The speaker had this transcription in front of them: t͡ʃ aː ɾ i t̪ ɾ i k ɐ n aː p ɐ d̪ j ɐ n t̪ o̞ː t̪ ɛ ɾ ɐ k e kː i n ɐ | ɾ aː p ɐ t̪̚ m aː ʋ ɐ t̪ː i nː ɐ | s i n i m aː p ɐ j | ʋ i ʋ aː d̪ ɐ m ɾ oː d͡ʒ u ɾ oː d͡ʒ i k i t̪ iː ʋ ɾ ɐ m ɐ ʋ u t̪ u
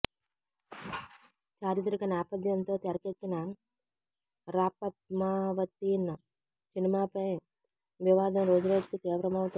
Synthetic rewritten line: t͡ʃ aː ɾ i t̪ ɾ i k ɐ n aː p ɐ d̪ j ɐ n t̪ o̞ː t̪ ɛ ɾ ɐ k e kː i n ɐ | ɾ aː p ɐ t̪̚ m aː ʋ ɐ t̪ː i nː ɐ | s i n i m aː p ɐ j | ʋ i ʋ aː d̪ ɐ m ɾ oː d͡ʒ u ɾ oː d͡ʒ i k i t̪ iː ʋ ɾ ɐ m ɐ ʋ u t̪ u